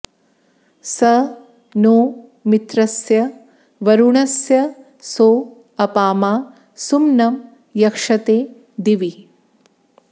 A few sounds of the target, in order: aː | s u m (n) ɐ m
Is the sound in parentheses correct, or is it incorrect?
correct